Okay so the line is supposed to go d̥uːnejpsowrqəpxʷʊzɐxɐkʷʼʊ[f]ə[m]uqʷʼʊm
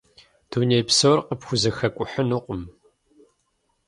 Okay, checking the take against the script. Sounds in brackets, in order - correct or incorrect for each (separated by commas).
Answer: incorrect, incorrect